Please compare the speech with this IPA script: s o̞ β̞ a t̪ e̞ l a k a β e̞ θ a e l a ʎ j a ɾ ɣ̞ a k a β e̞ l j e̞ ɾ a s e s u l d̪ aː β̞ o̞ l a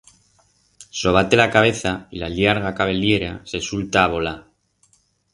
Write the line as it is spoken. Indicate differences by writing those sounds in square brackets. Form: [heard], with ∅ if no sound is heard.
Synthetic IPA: s o̞ β̞ a t̪ e̞ l a k a β e̞ θ a [i] l a ʎ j a ɾ ɣ̞ a k a β e̞ l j e̞ ɾ a s e s u l [t̪] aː β̞ o̞ l a